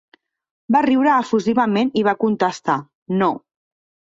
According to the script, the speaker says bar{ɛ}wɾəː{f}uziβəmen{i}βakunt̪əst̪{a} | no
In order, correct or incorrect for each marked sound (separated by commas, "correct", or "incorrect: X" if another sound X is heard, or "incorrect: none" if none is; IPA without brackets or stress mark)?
incorrect: i, correct, correct, correct